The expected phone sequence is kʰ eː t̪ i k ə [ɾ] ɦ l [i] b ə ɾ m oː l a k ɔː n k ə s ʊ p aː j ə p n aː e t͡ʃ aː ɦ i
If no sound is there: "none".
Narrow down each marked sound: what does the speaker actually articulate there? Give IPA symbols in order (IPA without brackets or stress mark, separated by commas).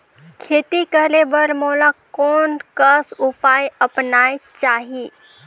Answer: none, e